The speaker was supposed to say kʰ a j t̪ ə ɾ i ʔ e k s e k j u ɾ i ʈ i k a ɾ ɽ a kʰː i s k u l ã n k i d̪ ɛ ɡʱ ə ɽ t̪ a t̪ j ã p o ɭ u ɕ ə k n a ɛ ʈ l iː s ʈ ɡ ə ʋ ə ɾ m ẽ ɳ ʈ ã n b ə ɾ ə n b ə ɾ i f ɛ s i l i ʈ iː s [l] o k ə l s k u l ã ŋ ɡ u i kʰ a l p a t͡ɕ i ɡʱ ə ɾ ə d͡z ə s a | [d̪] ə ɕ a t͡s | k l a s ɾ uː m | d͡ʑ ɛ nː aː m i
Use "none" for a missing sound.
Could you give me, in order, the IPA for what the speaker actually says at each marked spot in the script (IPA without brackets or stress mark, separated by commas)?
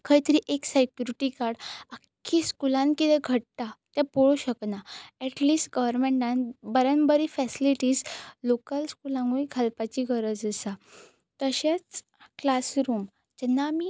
l, t̪